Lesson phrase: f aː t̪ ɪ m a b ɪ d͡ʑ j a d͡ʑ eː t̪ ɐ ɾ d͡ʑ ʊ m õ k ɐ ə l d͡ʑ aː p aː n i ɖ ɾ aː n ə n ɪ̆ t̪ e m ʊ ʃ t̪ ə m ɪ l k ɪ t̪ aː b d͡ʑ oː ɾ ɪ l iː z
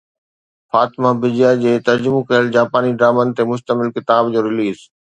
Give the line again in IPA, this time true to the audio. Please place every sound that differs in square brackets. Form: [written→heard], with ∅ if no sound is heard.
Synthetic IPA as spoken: f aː t̪ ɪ m a b ɪ d͡ʑ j a d͡ʑ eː t̪ ɐ ɾ d͡ʑ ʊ m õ k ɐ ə l d͡ʑ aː p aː n i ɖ ɾ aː [n→m] ə n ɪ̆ t̪ e m ʊ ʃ t̪ ə m ɪ l k ɪ t̪ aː b d͡ʑ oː ɾ ɪ l iː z